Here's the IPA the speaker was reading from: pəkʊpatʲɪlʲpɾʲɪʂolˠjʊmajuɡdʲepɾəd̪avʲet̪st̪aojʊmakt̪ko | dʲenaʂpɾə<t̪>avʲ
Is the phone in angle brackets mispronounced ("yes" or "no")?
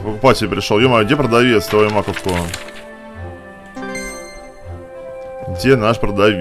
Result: yes